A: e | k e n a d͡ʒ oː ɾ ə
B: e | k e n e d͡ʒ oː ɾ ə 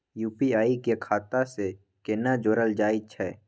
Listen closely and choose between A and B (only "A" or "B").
A